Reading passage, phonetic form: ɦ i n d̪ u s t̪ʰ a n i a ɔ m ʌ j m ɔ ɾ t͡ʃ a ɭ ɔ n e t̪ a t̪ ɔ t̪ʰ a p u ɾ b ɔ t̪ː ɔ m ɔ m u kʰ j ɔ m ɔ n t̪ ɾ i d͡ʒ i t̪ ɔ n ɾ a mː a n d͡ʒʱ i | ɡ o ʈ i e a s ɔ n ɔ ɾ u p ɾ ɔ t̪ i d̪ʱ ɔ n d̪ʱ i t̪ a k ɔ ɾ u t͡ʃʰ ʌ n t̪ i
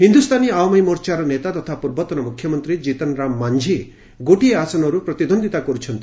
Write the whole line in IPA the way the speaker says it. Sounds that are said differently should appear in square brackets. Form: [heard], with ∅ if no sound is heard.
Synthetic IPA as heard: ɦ i n d̪ u s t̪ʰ a n i a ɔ m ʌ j m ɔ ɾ t͡ʃ a [ɾ] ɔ n e t̪ a t̪ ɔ t̪ʰ a p u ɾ b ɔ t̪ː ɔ [n] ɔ m u kʰ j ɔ m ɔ n t̪ ɾ i d͡ʒ i t̪ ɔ n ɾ a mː a n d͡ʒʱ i | ɡ o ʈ i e a s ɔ n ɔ ɾ u p ɾ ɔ t̪ i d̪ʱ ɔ n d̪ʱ i t̪ a k ɔ ɾ u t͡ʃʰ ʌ n t̪ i